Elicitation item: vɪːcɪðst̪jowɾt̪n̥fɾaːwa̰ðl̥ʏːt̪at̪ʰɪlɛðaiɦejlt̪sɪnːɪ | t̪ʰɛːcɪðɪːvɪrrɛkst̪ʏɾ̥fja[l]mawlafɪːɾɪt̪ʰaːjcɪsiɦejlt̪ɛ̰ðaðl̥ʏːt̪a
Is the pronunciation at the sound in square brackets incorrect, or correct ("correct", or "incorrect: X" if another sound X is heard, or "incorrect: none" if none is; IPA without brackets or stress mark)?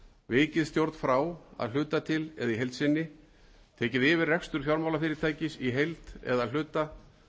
incorrect: ɾ